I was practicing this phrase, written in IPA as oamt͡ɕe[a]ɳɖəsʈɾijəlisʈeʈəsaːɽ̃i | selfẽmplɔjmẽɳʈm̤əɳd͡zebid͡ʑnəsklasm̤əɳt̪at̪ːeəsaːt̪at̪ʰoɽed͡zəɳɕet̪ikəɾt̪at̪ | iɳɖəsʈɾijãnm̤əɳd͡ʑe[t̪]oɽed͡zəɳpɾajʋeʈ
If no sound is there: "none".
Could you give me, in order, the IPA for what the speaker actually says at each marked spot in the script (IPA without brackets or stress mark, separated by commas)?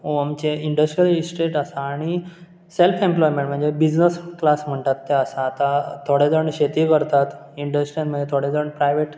i, t̪ʰ